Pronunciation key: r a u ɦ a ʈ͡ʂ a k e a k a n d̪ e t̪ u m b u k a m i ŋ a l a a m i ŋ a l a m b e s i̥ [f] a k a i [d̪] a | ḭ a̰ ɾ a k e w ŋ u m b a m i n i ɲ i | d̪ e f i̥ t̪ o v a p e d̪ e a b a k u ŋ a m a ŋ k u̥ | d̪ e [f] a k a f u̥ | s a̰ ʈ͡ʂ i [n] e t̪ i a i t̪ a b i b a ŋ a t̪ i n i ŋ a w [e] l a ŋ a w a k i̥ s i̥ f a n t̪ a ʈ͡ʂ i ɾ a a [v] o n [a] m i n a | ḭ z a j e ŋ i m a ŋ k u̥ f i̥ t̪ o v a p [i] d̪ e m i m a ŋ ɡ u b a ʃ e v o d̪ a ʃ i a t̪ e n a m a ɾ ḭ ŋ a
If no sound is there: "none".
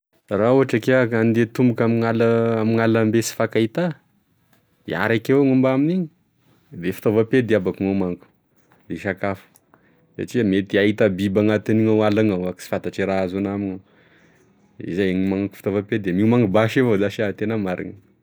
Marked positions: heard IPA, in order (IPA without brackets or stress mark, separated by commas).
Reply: f, t̪, ʃ, m, a, z, a, e